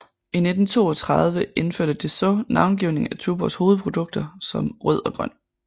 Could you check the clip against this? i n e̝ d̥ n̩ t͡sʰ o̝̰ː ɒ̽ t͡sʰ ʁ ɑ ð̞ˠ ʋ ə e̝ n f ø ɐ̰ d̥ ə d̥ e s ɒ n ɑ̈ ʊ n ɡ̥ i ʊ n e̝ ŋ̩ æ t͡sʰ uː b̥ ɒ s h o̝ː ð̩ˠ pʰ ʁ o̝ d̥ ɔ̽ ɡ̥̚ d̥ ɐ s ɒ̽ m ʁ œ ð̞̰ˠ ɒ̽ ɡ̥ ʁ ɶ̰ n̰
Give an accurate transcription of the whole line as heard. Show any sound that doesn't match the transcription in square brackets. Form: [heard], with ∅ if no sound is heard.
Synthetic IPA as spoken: i n e̝ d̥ n̩ t͡sʰ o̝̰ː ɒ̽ t͡sʰ ʁ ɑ ð̞ˠ ʋ ə e̝ n f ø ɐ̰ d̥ ə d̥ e s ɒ n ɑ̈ ʊ n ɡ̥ i ʊ n e̝ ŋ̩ æ t͡sʰ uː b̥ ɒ s h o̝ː ð̩ˠ pʰ ʁ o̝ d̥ ɔ̽ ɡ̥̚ d̥ ɐ s ɒ̽ m ʁ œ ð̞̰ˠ ɒ̽ ɡ̥ ʁ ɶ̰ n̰